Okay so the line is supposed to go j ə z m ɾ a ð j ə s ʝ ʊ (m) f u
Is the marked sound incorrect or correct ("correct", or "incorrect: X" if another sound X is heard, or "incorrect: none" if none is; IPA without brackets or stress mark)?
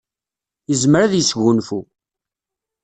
incorrect: n